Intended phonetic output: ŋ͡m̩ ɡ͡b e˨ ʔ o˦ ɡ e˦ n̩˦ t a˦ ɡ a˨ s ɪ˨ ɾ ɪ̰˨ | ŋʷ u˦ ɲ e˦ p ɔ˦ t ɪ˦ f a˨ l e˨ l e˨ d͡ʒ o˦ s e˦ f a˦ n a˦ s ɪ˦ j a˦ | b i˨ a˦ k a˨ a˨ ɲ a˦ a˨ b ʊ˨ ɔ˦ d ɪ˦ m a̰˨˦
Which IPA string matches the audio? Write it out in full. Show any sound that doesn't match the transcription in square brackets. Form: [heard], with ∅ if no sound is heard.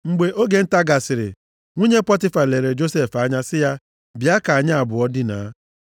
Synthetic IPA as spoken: ŋ͡m̩ ɡ͡b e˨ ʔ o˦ ɡ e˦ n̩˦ t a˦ ɡ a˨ s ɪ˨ ɾ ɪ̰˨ | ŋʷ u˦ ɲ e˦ p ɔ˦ t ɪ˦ f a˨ l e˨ [ɾ] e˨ d͡ʒ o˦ s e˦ f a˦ [ɲ] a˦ s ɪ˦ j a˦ | b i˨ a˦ k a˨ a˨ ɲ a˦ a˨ b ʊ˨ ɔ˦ d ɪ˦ [n] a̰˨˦

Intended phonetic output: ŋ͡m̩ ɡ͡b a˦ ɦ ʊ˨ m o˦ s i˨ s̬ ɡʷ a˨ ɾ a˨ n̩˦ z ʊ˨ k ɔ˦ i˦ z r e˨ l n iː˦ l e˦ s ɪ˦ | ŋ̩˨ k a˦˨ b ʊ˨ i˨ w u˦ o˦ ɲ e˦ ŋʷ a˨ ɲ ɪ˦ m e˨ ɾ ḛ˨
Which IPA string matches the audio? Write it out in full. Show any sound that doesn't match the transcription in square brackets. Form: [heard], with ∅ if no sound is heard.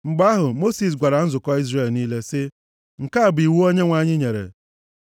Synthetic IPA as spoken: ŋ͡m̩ ɡ͡b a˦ ɦ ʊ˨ m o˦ s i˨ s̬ ɡʷ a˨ ɾ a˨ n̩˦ z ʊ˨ k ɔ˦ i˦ z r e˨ l n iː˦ l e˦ s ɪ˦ | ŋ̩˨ k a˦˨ b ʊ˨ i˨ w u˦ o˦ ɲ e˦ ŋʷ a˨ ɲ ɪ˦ [ɲ] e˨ ɾ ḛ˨

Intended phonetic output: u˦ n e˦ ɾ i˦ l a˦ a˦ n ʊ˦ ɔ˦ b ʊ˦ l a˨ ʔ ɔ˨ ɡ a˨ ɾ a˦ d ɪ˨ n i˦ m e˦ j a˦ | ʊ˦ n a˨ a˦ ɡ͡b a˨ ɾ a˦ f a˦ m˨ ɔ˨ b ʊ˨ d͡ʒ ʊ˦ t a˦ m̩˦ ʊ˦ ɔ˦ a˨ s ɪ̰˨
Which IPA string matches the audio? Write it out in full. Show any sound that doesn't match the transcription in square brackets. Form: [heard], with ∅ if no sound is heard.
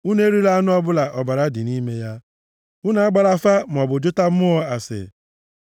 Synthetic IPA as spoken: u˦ n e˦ ɾ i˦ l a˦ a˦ n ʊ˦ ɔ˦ b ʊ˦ l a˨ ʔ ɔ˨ [b] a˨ ɾ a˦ d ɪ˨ n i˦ m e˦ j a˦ | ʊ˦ n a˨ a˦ ɡ͡b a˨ ɾ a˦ f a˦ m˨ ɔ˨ b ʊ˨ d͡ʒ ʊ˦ t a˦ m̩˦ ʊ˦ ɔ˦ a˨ s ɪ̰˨

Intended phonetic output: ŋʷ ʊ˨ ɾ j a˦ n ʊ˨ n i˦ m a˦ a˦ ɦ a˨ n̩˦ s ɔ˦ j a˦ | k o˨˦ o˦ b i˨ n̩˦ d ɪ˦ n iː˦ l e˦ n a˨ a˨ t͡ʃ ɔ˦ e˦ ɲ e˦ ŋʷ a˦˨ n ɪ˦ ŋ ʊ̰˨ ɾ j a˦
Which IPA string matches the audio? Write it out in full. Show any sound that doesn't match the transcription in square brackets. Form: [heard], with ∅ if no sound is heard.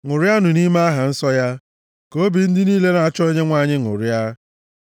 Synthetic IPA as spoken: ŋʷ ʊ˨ ɾ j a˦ n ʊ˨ n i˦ m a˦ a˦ ɦ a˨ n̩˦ s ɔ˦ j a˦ | k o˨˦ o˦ b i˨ n̩˦ d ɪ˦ n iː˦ l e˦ n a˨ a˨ t͡ʃ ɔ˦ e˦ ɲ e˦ ŋʷ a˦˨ [ɲ] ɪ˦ ŋ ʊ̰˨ ɾ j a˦

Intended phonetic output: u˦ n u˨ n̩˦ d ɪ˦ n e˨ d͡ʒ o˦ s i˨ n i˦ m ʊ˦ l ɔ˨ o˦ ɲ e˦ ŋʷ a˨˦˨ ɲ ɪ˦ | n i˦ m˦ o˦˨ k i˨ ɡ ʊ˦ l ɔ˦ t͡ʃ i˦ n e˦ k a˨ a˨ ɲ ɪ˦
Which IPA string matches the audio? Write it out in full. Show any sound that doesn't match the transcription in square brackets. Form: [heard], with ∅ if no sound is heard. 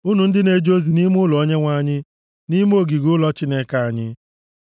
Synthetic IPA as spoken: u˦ n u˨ n̩˦ d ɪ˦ n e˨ d͡ʒ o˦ [z] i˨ n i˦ m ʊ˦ l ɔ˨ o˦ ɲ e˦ ŋʷ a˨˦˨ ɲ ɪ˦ | n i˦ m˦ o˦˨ [ɡ] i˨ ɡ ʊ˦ l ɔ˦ t͡ʃ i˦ n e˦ k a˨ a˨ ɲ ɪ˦

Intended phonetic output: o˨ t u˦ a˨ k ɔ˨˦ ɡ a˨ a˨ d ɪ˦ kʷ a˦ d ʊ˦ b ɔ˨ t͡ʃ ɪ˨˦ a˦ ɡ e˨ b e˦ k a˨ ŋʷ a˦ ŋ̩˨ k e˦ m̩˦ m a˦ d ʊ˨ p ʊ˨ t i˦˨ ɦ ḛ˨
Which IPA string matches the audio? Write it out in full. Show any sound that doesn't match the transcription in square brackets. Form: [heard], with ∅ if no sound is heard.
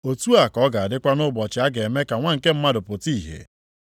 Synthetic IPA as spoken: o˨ t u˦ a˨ k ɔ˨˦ ɡ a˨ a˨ d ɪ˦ kʷ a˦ [n] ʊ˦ b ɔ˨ t͡ʃ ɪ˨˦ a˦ ɡ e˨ [m] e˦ k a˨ ŋʷ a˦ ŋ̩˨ k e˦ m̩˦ m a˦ d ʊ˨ p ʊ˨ t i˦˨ ɦ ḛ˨

